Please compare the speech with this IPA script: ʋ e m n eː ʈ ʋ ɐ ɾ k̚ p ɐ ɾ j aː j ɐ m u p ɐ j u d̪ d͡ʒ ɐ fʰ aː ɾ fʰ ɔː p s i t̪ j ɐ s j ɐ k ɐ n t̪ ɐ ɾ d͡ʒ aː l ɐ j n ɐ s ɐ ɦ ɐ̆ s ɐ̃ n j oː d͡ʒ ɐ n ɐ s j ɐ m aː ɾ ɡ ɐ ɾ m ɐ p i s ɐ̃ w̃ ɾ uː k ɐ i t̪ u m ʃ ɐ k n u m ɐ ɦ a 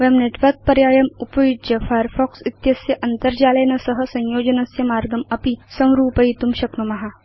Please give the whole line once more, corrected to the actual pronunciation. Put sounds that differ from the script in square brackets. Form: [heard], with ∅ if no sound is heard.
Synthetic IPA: ʋ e m n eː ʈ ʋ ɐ ɾ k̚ p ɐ ɾ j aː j ɐ m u p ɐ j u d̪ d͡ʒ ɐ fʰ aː ɾ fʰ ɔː [k] s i t̪ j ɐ s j ɐ [ʔ] ɐ n t̪ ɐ ɾ d͡ʒ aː l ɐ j n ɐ s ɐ ɦ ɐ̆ s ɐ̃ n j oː d͡ʒ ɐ n ɐ s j ɐ m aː ɾ ɡ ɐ [∅] m ɐ p i s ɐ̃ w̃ ɾ uː [p] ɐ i t̪ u m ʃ ɐ k n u m ɐ ɦ a

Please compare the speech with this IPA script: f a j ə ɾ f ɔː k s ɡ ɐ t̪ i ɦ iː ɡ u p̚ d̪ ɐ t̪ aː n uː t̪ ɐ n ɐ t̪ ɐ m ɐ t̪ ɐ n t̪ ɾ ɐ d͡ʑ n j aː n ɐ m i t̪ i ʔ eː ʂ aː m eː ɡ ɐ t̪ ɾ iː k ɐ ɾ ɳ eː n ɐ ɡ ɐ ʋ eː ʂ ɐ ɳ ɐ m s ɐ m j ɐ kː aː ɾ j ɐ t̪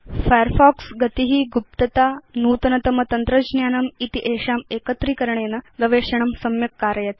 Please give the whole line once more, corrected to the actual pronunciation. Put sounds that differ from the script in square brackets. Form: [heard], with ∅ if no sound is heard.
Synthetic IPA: f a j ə ɾ f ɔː k s ɡ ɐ t̪ i ɦ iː ɡ u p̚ [t̪] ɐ t̪ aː n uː t̪ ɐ n ɐ t̪ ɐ m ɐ t̪ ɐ n t̪ ɾ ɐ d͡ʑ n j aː n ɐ m i t̪ i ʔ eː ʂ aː m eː [k] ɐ t̪ ɾ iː k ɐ ɾ ɳ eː n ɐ ɡ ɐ ʋ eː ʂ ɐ ɳ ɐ m s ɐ m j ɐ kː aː ɾ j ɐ t̪

